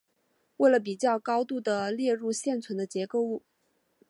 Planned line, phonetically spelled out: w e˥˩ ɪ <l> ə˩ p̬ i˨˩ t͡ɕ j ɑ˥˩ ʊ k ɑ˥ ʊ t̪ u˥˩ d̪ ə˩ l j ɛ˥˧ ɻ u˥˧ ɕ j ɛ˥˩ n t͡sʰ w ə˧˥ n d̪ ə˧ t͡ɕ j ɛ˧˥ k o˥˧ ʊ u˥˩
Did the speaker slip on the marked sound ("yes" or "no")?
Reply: no